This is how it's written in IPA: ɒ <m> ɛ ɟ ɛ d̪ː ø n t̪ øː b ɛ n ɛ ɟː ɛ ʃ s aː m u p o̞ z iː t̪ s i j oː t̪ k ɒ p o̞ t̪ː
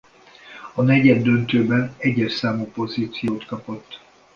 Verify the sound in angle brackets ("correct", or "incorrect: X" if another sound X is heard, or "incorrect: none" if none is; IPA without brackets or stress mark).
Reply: incorrect: n